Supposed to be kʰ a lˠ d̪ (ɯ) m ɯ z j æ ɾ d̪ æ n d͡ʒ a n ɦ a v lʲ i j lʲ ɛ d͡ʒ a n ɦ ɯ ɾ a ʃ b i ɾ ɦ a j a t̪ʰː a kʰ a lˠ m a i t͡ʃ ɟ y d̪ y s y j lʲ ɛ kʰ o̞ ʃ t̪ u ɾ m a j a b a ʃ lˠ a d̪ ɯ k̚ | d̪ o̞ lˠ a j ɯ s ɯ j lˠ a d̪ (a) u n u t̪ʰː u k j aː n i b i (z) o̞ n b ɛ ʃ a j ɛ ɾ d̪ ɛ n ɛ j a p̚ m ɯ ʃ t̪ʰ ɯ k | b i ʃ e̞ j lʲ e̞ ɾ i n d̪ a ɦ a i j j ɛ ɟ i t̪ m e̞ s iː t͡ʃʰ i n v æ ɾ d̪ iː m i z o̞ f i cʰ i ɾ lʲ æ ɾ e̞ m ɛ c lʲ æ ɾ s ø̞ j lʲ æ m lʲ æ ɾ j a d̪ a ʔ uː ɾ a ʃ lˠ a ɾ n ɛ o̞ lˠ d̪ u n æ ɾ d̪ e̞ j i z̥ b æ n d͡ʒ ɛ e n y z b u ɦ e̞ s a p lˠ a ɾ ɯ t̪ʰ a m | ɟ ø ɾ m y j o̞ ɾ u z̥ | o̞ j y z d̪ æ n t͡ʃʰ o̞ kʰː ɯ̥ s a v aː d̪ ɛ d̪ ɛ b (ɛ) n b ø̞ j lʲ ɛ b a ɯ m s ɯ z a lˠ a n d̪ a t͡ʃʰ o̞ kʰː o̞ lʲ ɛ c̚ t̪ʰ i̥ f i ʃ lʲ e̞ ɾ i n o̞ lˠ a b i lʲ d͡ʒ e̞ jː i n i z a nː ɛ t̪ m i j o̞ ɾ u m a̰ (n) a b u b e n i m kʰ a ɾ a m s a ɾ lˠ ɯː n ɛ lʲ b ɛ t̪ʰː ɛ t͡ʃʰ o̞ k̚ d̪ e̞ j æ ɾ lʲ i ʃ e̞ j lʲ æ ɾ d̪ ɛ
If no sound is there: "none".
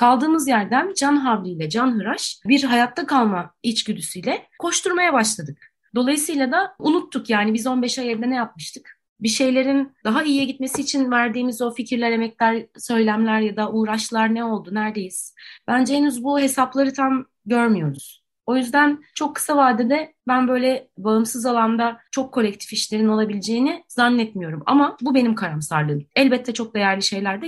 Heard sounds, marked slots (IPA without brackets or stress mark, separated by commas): ɯː, a, z, æ, m